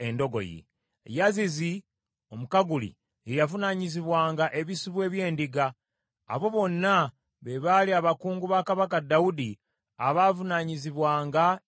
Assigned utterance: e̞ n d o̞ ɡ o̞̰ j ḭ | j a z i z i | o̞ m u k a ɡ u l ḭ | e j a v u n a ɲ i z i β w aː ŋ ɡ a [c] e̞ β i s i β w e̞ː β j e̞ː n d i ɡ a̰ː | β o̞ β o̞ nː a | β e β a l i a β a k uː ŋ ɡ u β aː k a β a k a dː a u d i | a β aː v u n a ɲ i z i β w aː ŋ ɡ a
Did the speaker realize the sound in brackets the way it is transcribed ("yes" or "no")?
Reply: no